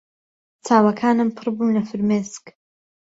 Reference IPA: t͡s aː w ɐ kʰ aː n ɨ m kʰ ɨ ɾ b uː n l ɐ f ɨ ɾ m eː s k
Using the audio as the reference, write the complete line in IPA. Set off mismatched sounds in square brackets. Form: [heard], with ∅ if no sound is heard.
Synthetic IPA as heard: t͡s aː w ɐ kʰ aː n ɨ m [pʰ] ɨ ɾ b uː n l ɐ f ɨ ɾ m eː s k